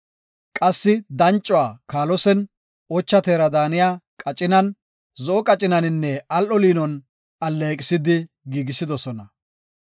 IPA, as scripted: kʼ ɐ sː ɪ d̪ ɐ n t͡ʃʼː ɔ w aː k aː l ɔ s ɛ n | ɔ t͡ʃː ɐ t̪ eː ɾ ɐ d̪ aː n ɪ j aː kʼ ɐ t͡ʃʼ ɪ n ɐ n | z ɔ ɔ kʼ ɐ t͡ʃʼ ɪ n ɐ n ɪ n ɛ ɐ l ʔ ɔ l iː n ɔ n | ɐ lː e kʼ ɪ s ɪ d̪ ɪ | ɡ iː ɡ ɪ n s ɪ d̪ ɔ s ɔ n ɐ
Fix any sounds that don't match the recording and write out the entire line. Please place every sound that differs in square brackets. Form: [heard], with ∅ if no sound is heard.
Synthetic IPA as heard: kʼ ɐ sː ɪ d̪ ɐ n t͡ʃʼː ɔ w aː k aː l ɔ s ɛ n | ɔ t͡ʃː ɐ t̪ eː ɾ ɐ d̪ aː n ɪ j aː kʼ ɐ t͡ʃʼ ɪ n ɐ n | z ɔ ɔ kʼ ɐ t͡ʃʼ ɪ n ɐ n ɪ [nː] ɛ ɐ l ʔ ɔ l iː n ɔ n | ɐ lː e kʼ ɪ s ɪ d̪ ɪ | ɡ iː ɡ ɪ [∅] s ɪ d̪ ɔ s ɔ n ɐ